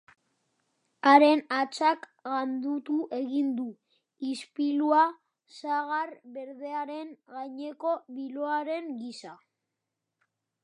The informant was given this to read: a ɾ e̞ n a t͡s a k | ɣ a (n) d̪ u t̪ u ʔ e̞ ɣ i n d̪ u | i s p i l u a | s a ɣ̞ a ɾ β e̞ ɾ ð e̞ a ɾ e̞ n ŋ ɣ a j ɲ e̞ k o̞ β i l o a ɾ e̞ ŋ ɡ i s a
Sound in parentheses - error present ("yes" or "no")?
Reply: no